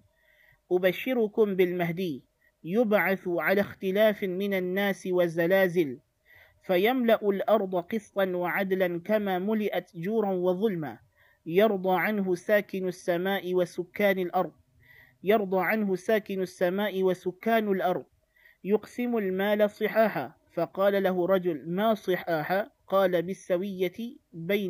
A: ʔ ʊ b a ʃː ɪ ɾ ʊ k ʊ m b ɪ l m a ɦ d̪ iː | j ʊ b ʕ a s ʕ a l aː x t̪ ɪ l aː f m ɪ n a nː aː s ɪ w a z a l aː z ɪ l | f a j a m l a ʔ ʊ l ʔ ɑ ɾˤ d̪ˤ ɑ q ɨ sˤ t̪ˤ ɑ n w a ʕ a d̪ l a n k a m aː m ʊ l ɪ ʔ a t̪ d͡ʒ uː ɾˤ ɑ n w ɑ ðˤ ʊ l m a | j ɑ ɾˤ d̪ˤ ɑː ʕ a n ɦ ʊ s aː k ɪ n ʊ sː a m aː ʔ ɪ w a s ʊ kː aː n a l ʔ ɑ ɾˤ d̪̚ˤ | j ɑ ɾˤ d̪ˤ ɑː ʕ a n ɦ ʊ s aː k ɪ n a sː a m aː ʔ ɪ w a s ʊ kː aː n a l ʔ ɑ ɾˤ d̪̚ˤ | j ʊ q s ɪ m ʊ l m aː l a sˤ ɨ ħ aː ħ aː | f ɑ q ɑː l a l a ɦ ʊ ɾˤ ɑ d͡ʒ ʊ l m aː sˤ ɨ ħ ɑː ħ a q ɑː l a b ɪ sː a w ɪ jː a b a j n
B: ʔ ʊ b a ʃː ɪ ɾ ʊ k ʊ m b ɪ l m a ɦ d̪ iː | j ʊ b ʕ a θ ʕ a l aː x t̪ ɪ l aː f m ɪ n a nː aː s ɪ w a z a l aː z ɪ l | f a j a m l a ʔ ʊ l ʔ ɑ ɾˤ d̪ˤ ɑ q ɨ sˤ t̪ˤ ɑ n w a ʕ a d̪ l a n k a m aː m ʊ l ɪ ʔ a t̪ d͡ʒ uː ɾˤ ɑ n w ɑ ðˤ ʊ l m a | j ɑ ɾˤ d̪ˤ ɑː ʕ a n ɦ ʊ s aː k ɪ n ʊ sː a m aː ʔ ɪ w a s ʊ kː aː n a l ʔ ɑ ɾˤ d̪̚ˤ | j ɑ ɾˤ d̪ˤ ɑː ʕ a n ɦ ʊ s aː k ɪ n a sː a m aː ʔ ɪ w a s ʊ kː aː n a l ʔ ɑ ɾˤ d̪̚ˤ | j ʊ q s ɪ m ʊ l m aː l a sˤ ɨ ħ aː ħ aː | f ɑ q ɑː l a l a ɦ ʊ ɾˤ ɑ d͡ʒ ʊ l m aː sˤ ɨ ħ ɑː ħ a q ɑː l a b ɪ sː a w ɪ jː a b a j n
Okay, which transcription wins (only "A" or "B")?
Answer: B